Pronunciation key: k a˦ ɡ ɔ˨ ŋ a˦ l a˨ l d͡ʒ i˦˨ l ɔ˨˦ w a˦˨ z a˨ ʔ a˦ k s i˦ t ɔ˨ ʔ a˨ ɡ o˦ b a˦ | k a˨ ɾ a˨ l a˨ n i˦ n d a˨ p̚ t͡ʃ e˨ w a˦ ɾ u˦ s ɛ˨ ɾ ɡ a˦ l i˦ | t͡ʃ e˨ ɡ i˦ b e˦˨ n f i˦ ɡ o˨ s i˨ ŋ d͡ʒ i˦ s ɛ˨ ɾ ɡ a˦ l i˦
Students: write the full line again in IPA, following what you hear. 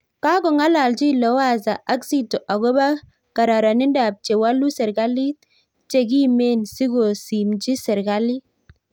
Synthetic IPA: k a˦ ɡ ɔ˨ ŋ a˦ l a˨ l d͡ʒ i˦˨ l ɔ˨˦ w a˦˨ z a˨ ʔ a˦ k s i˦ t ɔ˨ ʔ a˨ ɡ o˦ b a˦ | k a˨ ɾ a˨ ɾ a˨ n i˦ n d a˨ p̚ t͡ʃ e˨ w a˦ l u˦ s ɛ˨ ɾ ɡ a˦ l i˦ | t͡ʃ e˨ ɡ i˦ m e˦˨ n s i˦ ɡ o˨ s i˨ m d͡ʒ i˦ s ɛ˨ ɾ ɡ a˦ l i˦